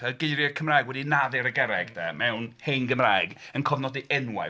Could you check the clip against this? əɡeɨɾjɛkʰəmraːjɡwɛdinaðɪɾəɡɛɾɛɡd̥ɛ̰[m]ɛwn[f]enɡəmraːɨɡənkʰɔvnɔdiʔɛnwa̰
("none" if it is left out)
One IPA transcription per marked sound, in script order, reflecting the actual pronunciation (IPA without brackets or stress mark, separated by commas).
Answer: m, h